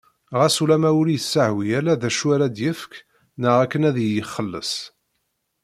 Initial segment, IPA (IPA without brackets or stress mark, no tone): ʁ